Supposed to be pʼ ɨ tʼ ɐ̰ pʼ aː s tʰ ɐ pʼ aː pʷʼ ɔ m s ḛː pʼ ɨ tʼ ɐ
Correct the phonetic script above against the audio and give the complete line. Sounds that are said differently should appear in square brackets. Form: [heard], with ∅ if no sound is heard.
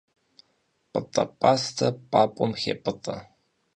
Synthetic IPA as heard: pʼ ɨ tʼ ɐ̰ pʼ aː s tʰ ɐ pʼ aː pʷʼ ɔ m [x] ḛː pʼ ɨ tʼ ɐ